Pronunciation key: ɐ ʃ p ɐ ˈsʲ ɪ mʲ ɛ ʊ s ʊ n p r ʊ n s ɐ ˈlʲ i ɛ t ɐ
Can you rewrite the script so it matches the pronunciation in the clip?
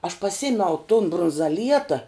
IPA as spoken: ɐ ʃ p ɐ ˈsʲ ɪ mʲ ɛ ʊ t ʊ n b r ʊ n z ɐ ˈlʲ i ɛ t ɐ